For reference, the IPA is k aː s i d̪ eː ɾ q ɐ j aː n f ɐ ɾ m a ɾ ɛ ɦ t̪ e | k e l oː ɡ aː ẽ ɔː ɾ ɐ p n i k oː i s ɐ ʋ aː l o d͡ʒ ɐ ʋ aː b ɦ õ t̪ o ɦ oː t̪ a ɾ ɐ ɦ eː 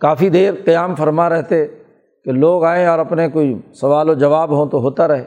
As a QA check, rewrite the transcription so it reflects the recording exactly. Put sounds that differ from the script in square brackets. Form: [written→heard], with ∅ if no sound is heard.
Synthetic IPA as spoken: k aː [s→f] i d̪ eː ɾ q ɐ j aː [n→m] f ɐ ɾ m a ɾ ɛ ɦ t̪ e | k e l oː ɡ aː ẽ ɔː ɾ ɐ p n [i→e] k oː i s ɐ ʋ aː l o d͡ʒ ɐ ʋ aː b ɦ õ t̪ o ɦ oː t̪ a ɾ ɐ ɦ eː